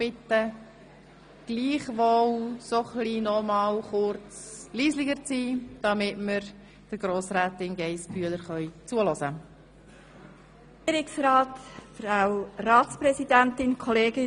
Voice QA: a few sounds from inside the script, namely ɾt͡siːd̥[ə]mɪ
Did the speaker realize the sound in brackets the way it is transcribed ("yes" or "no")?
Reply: no